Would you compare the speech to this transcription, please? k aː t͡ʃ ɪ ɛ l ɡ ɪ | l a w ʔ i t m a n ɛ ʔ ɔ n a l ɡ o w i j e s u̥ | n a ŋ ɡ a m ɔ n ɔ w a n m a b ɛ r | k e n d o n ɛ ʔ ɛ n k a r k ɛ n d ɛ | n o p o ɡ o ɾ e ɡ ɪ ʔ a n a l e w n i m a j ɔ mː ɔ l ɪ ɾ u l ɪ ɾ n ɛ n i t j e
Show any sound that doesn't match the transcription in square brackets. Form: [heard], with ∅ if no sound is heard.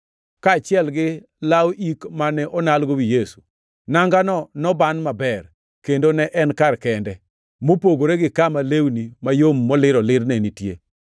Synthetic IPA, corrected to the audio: k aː t͡ʃ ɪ ɛ l ɡ ɪ | l a w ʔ i [k] m a n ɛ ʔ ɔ n a l ɡ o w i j e s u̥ | n a ŋ ɡ a [n] ɔ n ɔ [b] a n m a b ɛ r | k e n d o n ɛ ʔ ɛ n k a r k ɛ n d ɛ | [m] o p o ɡ o ɾ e ɡ ɪ [k] a [m] a l e w n i m a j [o] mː ɔ l ɪ ɾ [ɔ] l ɪ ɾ n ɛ n i t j e